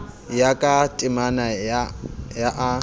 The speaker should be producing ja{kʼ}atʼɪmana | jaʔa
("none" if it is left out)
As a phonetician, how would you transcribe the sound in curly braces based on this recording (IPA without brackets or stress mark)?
kʼ